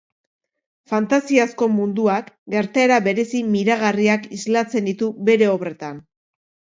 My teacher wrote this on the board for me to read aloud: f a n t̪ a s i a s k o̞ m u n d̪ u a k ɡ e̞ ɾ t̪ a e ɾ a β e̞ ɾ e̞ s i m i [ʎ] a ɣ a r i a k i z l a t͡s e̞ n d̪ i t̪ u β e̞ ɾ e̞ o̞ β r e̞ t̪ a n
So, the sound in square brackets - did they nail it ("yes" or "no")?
no